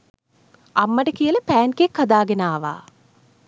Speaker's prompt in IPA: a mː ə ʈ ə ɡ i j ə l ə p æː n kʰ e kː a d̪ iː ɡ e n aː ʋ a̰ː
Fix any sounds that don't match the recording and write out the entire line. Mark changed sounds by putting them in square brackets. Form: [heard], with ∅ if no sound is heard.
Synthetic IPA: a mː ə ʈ ə [k] i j ə l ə p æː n [k] e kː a d̪ [aː] ɡ e n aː ʋ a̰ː